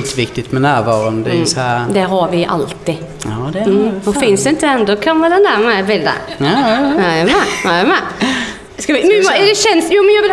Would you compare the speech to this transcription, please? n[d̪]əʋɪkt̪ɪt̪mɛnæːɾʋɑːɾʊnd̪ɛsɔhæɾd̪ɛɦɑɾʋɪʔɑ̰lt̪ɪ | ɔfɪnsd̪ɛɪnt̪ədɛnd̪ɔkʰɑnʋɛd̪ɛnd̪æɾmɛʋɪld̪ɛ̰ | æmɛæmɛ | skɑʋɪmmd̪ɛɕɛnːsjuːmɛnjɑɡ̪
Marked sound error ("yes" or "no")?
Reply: yes